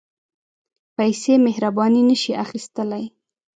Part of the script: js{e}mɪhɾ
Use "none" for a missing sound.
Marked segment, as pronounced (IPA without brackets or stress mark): e